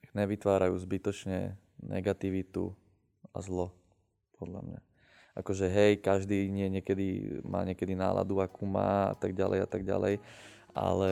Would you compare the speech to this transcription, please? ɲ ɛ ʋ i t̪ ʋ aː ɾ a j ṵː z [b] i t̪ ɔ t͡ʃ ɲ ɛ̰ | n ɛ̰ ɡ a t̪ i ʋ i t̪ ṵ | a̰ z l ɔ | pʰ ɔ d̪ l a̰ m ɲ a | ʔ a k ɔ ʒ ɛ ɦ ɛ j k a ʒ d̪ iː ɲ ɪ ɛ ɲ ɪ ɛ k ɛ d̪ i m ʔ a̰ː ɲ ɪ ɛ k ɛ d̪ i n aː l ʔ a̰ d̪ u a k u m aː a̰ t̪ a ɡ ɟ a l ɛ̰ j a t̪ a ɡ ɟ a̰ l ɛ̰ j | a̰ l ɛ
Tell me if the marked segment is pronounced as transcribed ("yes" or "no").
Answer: yes